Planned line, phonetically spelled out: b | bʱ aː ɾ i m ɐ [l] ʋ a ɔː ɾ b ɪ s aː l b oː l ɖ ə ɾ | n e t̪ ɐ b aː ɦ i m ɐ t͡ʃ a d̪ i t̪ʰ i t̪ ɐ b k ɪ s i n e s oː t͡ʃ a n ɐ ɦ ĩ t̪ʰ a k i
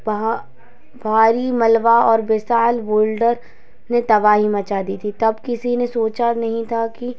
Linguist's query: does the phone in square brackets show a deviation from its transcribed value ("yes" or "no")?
no